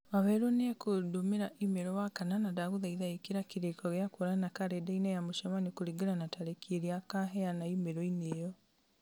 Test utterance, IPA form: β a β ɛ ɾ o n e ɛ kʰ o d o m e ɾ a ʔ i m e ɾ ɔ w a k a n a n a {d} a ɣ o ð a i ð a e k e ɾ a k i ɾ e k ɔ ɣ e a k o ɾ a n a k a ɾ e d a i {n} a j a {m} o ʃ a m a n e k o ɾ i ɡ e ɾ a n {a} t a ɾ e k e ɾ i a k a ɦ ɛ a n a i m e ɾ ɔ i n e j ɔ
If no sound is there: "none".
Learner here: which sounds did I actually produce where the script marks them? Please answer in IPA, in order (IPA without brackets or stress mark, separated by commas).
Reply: d, n, m, a